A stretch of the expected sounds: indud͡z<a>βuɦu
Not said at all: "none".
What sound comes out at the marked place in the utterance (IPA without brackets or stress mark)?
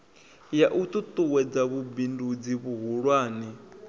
i